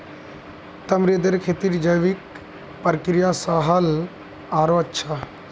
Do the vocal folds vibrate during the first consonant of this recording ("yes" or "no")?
no